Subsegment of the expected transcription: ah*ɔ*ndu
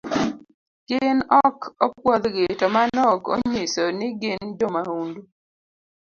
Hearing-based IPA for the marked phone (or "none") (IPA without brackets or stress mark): u